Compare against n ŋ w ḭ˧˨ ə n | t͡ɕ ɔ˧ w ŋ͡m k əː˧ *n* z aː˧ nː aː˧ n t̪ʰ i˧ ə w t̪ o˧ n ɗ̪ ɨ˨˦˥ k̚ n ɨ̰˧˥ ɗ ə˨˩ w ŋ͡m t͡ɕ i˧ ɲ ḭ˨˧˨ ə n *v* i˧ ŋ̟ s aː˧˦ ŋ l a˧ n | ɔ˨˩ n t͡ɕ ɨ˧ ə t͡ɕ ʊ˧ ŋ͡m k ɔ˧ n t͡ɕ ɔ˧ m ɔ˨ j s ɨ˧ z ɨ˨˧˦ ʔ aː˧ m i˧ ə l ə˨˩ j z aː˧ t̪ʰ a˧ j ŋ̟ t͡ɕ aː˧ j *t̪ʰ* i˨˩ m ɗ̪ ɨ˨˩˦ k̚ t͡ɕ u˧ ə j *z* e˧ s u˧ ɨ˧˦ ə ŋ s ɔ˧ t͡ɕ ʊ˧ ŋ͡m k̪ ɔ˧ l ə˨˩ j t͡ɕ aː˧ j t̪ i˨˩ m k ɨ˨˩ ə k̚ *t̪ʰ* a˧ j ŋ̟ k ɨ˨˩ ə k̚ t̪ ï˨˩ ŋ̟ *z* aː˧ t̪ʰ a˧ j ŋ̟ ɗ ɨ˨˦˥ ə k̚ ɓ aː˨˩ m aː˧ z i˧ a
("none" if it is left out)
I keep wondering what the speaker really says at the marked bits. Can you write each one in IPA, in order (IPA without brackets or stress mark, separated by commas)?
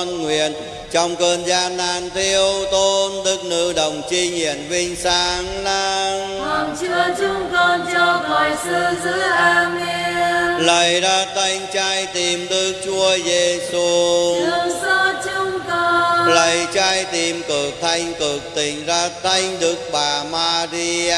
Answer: n, v, t̪, z, t̪ʰ, z